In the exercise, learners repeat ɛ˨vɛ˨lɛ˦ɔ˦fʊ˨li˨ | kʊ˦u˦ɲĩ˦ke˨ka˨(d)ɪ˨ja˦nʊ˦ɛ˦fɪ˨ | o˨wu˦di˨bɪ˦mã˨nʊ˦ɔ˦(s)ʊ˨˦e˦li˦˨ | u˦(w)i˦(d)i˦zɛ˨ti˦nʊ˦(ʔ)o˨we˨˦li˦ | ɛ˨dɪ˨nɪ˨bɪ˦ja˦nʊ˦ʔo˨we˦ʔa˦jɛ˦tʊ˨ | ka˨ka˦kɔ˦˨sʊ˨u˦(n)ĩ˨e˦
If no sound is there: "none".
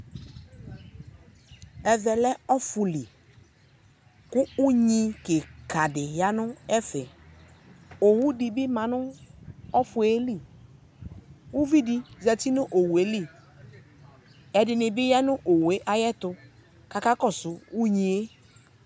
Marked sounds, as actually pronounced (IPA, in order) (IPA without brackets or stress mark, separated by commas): d, f, v, d, ʔ, ɲ